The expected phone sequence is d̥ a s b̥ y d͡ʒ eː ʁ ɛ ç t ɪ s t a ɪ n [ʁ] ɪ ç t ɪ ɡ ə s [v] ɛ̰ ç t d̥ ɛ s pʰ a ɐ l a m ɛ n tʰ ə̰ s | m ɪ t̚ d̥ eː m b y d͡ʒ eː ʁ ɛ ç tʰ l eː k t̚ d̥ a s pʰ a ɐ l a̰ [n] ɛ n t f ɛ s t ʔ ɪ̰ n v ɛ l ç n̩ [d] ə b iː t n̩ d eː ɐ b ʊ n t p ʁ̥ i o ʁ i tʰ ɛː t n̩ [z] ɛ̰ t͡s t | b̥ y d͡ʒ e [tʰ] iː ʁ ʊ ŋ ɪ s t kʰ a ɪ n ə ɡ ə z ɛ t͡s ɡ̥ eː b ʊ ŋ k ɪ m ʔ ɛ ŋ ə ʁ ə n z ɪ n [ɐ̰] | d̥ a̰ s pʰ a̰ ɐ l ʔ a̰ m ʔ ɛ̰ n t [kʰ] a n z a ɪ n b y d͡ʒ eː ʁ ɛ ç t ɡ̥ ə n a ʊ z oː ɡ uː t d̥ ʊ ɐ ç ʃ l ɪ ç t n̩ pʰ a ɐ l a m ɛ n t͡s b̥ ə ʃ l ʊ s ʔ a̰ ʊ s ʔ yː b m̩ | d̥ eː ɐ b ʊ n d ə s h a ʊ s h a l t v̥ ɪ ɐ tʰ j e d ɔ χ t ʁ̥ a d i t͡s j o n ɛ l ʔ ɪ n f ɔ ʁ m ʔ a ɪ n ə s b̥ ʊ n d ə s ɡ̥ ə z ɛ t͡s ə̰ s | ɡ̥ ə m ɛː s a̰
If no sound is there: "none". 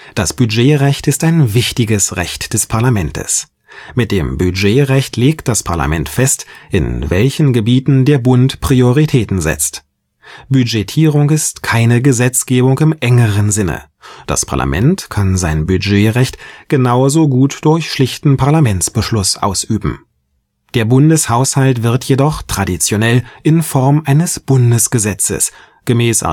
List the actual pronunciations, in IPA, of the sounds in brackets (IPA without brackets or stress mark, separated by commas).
v, ʁ, m, ɡ, z, tʰ, ə̰, kʰ